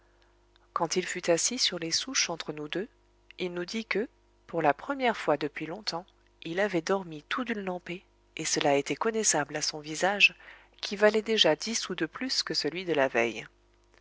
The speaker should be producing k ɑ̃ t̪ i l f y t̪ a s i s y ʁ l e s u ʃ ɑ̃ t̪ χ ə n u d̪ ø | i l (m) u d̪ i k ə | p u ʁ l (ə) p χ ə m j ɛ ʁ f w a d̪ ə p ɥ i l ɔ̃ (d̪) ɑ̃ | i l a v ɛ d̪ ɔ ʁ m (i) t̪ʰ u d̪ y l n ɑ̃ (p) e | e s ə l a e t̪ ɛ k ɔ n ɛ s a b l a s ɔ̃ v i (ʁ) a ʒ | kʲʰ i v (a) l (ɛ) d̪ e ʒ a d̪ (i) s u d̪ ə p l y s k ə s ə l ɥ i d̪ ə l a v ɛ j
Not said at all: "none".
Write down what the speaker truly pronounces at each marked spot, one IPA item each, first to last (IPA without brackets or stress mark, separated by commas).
n, a, t̪, i, p, z, a, ɛ, i